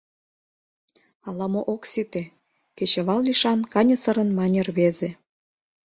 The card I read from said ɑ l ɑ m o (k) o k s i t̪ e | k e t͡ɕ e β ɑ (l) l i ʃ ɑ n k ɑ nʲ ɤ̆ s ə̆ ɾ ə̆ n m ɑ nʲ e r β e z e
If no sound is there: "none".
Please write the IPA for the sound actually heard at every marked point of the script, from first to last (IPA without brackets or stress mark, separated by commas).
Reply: ʔ, l